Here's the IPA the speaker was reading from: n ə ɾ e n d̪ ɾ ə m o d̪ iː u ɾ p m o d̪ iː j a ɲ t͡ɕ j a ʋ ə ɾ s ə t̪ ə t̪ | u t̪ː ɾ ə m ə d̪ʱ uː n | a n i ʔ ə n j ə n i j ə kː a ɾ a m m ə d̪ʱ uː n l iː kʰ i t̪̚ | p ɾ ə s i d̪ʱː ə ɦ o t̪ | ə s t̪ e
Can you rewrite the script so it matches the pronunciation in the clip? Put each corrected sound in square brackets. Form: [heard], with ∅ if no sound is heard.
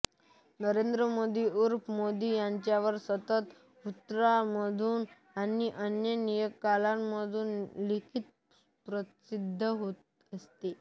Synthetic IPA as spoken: n ə ɾ e n d̪ ɾ ə m o d̪ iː u ɾ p m o d̪ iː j a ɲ t͡ɕ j a ʋ ə ɾ s ə t̪ ə t̪ | u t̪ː ɾ [a] m ə d̪ʱ uː n | a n i ʔ ə n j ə n i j ə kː a [l] a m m ə d̪ʱ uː n l [i] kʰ i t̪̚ | p ɾ ə s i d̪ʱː ə ɦ o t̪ | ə s t̪ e